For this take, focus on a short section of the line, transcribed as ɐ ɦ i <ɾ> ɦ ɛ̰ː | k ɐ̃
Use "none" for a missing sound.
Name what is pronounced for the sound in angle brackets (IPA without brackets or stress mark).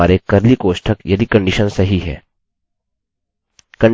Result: none